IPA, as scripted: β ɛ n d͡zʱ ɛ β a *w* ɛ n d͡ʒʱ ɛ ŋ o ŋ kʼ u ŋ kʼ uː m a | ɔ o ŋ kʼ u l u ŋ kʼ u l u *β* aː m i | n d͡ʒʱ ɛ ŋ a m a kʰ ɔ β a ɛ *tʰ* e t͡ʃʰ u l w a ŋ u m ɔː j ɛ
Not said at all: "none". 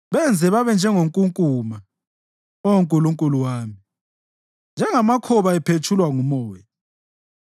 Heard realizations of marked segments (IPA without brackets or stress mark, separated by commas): β, w, pʰ